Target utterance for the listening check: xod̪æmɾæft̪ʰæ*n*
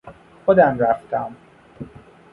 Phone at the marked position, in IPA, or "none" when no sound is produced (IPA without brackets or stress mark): m